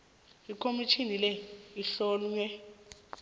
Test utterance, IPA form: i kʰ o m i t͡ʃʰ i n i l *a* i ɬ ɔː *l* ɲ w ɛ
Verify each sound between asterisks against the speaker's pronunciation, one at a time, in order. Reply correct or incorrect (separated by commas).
incorrect, correct